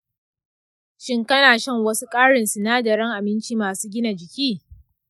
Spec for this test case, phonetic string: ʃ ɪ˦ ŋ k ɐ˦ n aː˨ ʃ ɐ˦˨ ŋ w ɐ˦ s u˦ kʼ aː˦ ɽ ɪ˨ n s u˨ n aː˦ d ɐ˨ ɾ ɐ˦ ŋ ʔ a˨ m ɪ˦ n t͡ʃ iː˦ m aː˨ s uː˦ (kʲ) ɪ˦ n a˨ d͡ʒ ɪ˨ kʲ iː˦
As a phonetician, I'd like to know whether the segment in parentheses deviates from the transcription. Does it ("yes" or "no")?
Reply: yes